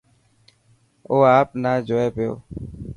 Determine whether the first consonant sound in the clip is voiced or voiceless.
voiceless